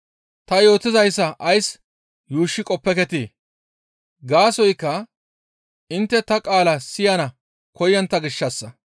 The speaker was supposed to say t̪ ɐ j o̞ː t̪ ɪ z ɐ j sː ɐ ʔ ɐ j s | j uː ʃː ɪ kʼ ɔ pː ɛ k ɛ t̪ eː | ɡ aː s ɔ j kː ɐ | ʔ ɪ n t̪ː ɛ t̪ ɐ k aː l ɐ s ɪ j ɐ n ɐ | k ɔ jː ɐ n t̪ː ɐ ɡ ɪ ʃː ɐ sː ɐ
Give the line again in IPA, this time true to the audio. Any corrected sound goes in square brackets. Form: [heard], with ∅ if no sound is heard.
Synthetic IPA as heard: t̪ ɐ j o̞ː t̪ ɪ z ɐ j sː ɐ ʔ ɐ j s | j uː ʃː ɪ kʼ ɔ pː ɛ k ɛ t̪ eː | ɡ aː s ɔ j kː ɐ | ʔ ɪ n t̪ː ɛ t̪ ɐ [kʼ] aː l ɐ s ɪ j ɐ n ɐ | k ɔ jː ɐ n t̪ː ɐ ɡ ɪ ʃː ɐ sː ɐ